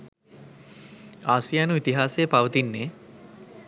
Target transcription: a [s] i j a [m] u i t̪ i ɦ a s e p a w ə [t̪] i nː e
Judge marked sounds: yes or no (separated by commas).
yes, no, yes